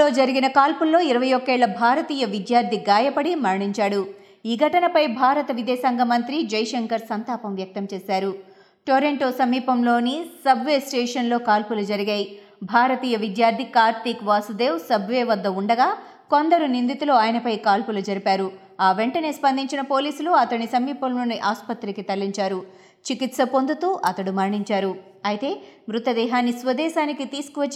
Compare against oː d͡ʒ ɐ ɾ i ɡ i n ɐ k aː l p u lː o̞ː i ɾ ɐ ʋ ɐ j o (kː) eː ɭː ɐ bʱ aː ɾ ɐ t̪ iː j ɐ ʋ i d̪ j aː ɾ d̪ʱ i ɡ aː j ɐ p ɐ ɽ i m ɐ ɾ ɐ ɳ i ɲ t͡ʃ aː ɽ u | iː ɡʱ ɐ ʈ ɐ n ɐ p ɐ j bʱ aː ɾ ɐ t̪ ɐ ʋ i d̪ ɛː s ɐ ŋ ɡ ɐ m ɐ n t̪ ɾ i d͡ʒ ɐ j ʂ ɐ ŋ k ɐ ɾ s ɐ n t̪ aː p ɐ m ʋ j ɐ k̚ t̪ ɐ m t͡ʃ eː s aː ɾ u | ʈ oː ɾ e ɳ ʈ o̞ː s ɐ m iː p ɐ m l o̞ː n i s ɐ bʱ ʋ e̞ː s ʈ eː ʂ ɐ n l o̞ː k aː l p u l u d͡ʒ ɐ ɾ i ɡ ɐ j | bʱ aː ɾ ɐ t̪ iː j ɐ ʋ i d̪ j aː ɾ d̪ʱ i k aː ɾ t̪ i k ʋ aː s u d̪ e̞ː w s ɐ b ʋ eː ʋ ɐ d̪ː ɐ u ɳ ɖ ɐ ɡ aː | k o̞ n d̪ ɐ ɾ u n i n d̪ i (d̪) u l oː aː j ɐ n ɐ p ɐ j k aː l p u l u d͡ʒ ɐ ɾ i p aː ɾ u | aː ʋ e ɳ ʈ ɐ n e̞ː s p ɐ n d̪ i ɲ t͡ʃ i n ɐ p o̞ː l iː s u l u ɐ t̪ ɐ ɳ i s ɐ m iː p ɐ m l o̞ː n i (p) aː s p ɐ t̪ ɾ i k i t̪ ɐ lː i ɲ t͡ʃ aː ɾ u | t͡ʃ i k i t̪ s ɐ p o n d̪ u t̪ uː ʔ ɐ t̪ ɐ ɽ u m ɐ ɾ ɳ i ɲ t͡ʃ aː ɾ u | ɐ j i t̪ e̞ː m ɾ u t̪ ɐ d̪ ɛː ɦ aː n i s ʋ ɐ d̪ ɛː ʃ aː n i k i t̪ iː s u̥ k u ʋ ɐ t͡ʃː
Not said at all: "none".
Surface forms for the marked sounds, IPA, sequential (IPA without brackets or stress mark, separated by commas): kː, t̪, ʔ